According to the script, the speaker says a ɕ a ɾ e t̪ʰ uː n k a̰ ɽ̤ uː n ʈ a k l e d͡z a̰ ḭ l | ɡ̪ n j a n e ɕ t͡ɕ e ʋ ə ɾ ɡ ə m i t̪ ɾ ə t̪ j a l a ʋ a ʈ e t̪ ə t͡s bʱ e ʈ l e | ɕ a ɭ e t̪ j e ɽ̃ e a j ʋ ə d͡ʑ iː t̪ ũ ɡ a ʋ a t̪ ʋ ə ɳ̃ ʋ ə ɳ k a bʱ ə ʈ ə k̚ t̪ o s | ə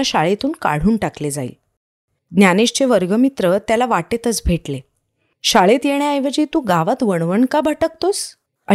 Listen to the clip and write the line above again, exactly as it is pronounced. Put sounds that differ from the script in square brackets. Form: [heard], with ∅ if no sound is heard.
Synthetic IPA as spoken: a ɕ a [ɭ] e [t̪] uː n k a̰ ɽ̤ uː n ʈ a k l e d͡z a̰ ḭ l | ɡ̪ n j a n e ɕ t͡ɕ e ʋ ə ɾ ɡ ə m i t̪ ɾ ə t̪ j a l a ʋ a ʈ e t̪ ə t͡s bʱ e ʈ l e | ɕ a ɭ e t̪ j e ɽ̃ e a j ʋ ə d͡ʑ iː t̪ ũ ɡ a ʋ a t̪ ʋ ə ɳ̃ ʋ ə ɳ k a bʱ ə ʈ ə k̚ t̪ o s | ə